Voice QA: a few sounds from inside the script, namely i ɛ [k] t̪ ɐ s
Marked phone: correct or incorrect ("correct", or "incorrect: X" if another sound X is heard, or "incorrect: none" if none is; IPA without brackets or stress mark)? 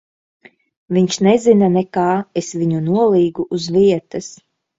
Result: incorrect: none